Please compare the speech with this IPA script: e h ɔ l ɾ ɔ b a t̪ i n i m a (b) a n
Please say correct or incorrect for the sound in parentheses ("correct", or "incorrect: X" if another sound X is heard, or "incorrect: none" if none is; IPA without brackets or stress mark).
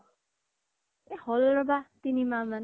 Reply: incorrect: m